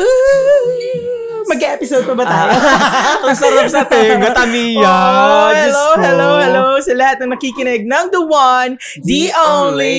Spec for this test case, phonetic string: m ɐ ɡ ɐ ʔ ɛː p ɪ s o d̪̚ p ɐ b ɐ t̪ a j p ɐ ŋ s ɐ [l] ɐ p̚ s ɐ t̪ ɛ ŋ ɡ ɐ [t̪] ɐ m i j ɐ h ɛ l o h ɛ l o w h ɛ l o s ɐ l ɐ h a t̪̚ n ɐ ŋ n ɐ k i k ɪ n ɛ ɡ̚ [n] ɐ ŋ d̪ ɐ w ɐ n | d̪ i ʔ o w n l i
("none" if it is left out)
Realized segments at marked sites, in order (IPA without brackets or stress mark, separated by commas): ɾ, t̪, n